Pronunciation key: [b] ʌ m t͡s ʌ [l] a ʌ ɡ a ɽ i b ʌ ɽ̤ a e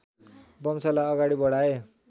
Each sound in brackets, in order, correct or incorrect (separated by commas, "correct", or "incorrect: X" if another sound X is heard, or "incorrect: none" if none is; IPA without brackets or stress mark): correct, correct